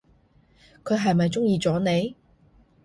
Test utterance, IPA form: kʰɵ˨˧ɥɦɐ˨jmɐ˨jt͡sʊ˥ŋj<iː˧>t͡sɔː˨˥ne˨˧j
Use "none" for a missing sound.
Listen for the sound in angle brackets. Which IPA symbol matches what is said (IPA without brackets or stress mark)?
iː˧